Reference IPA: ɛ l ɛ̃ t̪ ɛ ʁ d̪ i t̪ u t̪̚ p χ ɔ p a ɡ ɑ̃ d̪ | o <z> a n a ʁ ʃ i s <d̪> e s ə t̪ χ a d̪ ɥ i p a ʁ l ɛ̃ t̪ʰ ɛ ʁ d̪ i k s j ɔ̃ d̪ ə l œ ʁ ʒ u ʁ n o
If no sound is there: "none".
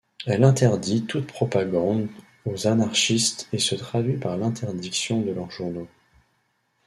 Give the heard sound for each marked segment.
z, t̪

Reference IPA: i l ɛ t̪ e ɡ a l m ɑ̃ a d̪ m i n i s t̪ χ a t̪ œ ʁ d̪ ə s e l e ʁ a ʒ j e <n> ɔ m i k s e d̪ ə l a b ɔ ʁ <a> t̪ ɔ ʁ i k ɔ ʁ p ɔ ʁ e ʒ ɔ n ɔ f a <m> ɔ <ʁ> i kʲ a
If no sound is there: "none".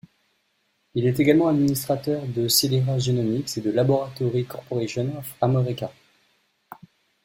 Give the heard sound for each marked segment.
n, a, m, ʁ

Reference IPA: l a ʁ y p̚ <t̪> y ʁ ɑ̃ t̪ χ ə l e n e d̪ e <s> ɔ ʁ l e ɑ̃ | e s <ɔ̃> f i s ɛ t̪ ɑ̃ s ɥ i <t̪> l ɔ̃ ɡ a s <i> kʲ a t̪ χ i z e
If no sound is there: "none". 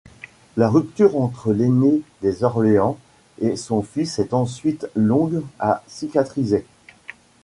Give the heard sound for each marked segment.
t̪, z, ɔ̃, t̪, i

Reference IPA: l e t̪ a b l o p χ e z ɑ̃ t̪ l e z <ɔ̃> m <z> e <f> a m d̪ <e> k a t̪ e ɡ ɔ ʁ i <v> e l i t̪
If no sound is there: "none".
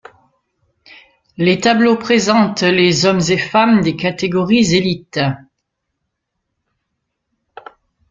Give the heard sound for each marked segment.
ɔ, z, f, e, z

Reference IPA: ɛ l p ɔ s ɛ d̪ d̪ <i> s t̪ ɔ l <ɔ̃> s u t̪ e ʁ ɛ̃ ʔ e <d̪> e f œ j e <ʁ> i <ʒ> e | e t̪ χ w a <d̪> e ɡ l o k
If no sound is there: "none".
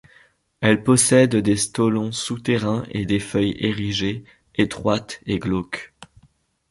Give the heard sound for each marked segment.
e, ɔ̃, d̪, ʁ, ʒ, t̪

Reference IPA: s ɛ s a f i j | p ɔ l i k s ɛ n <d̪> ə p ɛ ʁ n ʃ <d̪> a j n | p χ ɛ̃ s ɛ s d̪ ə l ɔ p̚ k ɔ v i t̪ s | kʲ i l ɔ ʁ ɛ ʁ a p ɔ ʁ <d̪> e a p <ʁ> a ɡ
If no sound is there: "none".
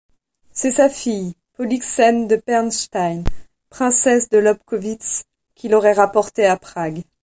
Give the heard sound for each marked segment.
d̪, t̪, t̪, χ

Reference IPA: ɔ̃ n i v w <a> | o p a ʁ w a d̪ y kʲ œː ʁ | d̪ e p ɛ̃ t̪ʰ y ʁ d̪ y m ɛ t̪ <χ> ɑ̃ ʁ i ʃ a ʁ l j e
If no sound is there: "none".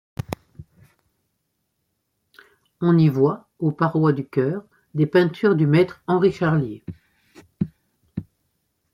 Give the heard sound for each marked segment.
a, χ

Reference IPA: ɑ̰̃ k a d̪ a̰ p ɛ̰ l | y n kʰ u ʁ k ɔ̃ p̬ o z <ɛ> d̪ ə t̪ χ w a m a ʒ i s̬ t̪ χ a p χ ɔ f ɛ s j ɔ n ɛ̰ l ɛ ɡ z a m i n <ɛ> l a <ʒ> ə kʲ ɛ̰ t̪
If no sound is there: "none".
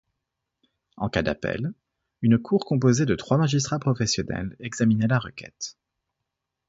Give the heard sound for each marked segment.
e, ɛ, ʁ

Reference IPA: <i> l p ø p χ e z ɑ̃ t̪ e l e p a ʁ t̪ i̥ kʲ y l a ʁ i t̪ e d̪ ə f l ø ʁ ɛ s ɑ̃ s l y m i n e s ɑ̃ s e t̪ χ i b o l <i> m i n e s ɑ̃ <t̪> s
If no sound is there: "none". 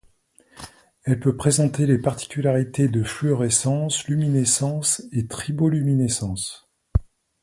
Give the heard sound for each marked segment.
ɛ, y, none

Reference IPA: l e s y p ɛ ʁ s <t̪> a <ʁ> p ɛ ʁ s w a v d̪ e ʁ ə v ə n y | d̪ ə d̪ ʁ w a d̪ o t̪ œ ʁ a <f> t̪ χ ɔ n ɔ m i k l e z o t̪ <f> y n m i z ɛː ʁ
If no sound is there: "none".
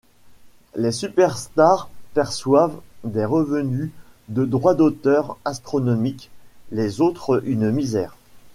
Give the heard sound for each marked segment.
t̪, ʁ, s, χ

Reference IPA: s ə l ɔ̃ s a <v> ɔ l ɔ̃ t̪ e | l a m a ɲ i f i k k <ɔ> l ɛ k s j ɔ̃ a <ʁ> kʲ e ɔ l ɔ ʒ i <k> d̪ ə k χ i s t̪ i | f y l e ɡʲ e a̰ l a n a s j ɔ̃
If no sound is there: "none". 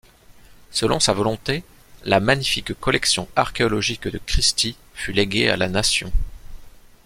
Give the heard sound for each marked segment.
v, ɔ, ʁ, k

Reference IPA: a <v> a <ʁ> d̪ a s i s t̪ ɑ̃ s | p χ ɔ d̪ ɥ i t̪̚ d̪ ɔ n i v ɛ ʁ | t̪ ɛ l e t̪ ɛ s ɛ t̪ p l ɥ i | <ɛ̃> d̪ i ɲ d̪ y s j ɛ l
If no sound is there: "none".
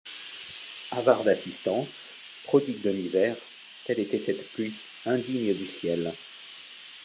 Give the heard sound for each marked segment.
v, ʁ, ɛ̃

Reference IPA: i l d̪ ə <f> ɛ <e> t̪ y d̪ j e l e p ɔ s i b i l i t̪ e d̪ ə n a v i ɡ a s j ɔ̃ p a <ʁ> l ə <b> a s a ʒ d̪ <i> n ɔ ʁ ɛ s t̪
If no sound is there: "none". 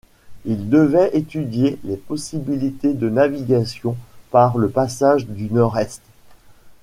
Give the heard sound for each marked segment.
v, e, ʁ, p, y

